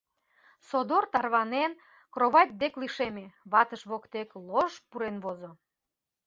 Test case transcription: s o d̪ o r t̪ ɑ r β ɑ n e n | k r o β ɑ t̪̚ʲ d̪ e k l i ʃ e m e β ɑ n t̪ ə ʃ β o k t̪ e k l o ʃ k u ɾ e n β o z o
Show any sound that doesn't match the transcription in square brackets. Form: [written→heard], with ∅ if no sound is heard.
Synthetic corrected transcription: s o d̪ o r t̪ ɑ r β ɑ n e n | k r o β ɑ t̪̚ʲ d̪ e k l i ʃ e m e β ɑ [n→∅] t̪ ə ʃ β o k t̪ e k l o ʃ [k→p] u ɾ e n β o z o